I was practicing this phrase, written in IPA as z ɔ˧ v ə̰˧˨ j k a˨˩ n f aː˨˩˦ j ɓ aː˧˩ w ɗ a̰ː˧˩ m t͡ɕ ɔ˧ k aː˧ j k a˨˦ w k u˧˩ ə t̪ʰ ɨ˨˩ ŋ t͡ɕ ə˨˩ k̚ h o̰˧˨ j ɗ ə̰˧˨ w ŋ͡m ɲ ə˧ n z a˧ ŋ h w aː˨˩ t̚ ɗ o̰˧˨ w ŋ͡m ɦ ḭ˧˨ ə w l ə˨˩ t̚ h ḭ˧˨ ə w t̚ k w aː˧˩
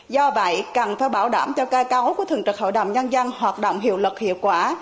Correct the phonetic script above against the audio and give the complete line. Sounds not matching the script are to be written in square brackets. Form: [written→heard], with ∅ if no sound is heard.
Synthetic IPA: z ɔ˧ v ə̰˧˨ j k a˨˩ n f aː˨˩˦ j ɓ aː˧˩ w ɗ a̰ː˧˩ m t͡ɕ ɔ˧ k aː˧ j k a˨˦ w k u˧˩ ə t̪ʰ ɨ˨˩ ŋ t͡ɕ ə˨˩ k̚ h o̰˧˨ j ɗ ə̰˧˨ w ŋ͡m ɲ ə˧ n z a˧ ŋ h w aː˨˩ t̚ ɗ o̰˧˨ w ŋ͡m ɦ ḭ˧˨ ə w l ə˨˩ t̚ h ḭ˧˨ ə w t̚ k w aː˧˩